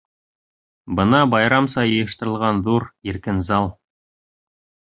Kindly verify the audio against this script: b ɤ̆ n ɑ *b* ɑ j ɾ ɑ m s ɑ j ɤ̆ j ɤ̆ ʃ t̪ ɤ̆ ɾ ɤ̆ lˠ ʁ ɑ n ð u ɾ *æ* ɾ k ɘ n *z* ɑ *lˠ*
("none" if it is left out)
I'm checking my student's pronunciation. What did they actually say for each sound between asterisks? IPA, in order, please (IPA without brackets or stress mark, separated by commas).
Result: b, i, z, lˠ